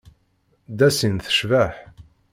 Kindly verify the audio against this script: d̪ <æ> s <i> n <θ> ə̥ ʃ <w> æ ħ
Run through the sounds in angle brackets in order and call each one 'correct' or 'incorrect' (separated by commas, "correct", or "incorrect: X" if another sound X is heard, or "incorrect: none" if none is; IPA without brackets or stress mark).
correct, correct, correct, incorrect: v